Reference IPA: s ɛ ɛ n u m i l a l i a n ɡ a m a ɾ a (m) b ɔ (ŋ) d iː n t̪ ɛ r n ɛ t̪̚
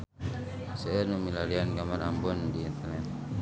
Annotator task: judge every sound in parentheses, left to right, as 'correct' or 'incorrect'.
correct, incorrect

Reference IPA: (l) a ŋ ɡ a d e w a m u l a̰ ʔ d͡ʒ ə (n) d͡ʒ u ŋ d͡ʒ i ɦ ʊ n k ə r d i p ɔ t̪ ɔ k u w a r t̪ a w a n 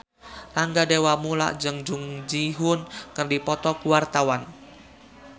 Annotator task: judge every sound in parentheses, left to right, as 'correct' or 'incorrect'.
correct, incorrect

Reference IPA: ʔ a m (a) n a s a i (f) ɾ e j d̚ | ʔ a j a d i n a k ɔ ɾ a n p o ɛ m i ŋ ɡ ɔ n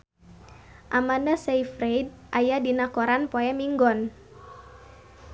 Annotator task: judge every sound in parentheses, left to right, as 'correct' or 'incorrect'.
correct, correct

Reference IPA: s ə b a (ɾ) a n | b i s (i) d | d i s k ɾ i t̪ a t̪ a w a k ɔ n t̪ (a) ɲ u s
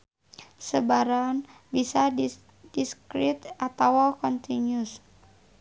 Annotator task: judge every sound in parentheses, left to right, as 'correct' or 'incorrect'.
correct, incorrect, incorrect

